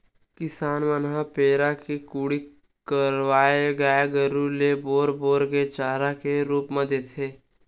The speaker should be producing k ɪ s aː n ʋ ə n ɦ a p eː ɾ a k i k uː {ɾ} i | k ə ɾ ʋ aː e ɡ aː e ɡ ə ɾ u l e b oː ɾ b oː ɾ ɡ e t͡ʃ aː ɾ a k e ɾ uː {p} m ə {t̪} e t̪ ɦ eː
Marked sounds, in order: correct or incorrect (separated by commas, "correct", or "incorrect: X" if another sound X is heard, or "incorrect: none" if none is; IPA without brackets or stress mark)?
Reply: incorrect: ɽ, correct, incorrect: d̪